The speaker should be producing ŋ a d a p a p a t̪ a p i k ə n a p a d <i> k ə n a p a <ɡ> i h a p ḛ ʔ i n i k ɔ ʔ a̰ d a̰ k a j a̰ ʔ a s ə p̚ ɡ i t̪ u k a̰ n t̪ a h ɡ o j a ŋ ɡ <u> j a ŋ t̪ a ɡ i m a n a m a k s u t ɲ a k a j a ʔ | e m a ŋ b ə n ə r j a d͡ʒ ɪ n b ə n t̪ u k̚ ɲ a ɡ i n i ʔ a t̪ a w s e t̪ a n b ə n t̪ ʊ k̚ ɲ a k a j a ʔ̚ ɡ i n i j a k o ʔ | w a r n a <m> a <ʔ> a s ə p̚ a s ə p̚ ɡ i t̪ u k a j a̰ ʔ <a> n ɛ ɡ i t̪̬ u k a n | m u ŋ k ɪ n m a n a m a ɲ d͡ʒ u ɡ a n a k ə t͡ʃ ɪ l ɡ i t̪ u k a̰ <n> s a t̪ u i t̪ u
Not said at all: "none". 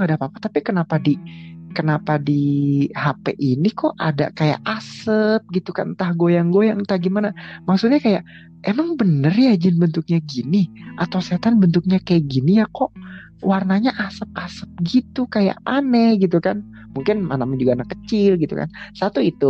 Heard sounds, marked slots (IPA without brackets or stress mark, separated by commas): i, d, o, ɲ, ʔ, a, n